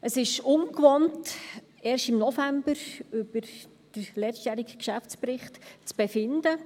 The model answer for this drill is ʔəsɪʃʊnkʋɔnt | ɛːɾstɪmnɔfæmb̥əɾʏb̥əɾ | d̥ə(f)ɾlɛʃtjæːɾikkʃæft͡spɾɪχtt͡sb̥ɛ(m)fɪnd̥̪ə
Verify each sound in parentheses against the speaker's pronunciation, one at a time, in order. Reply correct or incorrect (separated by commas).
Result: incorrect, incorrect